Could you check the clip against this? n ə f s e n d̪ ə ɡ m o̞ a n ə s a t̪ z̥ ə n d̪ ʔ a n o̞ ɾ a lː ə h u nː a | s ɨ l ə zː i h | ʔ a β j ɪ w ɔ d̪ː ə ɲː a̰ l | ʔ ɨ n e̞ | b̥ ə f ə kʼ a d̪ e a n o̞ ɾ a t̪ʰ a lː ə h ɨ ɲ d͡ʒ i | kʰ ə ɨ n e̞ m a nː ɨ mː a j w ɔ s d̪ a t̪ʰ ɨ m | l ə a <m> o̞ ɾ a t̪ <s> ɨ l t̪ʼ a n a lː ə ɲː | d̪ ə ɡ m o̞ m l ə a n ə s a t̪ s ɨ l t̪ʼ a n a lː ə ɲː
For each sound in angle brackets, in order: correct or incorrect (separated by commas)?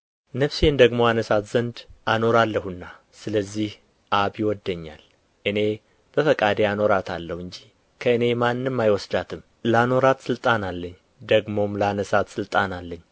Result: incorrect, correct